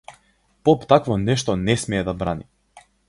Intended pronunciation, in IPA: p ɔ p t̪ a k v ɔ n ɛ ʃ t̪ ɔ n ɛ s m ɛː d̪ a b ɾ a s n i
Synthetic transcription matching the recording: p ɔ p t̪ a k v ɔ n ɛ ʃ t̪ ɔ n ɛ s m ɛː d̪ a b ɾ a n i